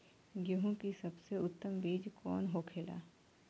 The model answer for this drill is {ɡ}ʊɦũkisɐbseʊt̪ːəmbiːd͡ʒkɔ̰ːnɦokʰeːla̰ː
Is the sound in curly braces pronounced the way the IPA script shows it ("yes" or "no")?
yes